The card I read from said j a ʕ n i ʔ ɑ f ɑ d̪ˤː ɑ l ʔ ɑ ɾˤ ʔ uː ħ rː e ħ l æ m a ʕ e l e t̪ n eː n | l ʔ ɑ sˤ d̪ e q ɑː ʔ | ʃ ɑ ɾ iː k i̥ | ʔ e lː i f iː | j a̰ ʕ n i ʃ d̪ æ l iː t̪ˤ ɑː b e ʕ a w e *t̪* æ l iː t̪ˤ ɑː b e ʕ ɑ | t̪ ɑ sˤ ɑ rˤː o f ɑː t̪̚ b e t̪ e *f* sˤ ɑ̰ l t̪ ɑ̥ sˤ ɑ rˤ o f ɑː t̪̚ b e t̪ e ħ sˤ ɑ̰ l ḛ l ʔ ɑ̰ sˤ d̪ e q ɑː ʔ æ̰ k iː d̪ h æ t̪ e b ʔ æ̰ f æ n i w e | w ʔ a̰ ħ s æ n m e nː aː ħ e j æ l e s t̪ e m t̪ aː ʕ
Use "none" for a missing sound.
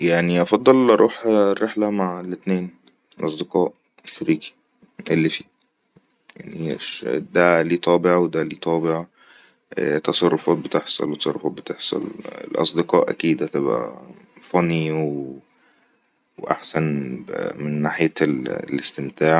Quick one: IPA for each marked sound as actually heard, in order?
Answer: d̪, ħ

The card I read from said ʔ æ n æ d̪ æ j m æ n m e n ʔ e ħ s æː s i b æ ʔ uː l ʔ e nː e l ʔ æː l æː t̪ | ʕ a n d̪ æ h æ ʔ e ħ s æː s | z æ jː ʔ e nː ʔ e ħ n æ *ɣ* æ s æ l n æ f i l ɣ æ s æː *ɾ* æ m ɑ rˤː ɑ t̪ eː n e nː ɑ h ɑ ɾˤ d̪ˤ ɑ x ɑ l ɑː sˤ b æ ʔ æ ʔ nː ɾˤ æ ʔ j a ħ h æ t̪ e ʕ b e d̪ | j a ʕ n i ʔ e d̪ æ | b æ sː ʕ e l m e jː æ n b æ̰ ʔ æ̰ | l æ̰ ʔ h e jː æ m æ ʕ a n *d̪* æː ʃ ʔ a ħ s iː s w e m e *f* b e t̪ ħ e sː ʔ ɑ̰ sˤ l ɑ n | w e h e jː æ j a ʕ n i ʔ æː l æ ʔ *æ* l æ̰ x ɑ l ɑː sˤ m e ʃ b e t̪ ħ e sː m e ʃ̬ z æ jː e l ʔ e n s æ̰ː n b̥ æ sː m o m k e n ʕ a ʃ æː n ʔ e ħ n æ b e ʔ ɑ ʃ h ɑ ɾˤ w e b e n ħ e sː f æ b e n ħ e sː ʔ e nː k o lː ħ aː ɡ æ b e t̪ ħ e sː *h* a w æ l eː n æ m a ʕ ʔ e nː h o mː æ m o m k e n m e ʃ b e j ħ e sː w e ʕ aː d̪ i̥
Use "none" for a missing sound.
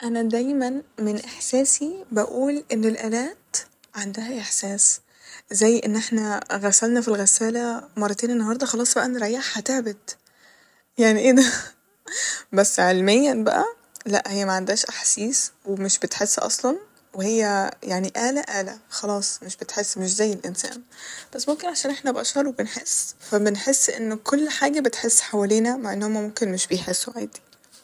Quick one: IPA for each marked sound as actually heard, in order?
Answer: ɣ, l, d̪, ʃ, æː, ħ

